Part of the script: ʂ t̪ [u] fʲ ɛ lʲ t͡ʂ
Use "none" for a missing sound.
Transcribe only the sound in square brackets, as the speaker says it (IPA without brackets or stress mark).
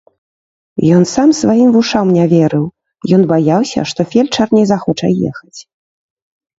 ɔ